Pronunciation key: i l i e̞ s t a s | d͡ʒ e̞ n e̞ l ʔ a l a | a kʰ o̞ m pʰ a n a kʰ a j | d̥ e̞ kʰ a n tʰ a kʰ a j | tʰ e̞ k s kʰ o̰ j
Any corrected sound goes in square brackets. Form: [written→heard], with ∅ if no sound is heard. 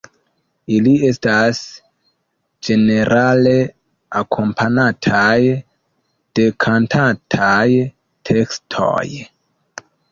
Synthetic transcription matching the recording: i l i e̞ s t a s | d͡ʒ e̞ n e̞ [l→ɾ] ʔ a l [a→e] | a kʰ o̞ m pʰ a n a [kʰ→tʰ] a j | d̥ e̞ kʰ a n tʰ a [kʰ→tʰ] a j | tʰ e̞ k s [kʰ→tʰ] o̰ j